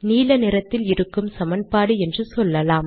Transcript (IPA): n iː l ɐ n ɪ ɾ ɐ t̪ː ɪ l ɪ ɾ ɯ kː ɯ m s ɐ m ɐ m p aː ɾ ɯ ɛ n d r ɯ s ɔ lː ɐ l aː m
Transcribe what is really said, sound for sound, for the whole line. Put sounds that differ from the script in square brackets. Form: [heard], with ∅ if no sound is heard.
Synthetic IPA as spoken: n iː l ɐ n ɪ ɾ ɐ t̪ː ɪ l ɪ ɾ ɯ kː ɯ m s ɐ m ɐ [n] p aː [ɽ] ɯ ɛ n d r ɯ s ɔ lː ɐ l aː m